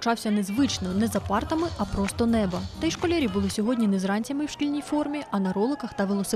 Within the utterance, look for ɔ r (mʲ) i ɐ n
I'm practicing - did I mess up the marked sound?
no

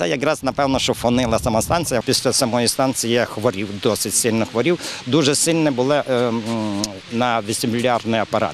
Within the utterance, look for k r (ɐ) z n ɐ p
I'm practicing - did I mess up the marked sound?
yes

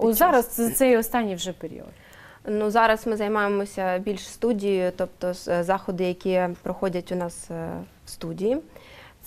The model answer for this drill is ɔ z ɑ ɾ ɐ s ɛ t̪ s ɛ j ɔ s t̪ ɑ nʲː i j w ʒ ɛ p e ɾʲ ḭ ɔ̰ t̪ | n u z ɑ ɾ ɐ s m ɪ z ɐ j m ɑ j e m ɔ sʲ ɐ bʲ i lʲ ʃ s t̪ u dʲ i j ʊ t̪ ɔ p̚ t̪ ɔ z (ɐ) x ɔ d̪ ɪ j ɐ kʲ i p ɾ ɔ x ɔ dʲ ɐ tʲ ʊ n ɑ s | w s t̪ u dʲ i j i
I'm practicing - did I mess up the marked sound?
yes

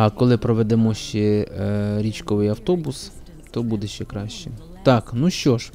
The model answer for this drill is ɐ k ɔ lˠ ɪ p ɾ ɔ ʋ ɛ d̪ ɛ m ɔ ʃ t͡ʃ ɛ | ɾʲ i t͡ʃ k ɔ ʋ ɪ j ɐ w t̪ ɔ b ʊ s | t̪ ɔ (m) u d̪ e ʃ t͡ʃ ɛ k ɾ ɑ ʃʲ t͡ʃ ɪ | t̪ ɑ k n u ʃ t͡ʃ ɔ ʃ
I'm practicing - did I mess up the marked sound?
yes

